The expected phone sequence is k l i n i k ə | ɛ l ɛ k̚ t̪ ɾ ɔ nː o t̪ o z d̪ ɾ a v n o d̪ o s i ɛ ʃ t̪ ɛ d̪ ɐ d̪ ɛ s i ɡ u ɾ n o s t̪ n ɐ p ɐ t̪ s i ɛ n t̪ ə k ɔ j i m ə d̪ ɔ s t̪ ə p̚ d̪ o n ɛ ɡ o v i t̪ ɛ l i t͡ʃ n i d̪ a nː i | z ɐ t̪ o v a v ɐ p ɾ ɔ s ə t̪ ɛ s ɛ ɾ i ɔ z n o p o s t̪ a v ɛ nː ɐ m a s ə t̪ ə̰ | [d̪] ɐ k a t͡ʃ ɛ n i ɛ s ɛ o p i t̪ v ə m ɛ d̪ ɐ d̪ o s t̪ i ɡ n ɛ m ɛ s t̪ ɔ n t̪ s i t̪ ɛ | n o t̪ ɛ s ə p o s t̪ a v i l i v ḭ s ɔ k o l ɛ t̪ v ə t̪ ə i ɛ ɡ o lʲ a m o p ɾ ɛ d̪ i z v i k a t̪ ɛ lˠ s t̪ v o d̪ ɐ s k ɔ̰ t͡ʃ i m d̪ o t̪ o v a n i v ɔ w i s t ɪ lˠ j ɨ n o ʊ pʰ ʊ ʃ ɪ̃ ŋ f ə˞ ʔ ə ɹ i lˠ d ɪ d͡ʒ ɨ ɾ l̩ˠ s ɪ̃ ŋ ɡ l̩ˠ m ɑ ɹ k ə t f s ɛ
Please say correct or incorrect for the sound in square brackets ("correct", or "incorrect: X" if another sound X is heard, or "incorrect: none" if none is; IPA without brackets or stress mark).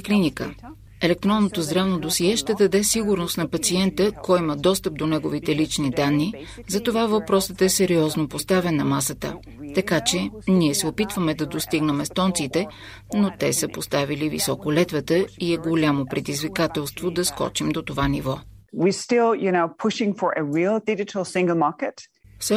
incorrect: t̪